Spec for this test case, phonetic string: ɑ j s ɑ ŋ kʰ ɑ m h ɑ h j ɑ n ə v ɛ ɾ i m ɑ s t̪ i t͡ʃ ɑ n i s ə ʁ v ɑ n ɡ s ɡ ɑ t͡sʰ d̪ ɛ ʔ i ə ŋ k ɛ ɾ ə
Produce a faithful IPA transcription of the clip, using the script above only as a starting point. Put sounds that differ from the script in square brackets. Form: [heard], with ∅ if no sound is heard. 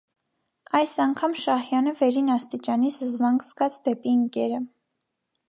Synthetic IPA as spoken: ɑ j s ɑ ŋ kʰ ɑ m [ʃ] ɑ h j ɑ n ə v ɛ ɾ i [n] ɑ s t̪ i t͡ʃ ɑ n i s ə [z] v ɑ [ŋ] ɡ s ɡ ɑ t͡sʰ d̪ ɛ [p] i ə ŋ k ɛ ɾ ə